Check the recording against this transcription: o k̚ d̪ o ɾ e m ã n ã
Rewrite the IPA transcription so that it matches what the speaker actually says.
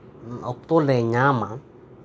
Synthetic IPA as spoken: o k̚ t̪ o l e ɲ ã m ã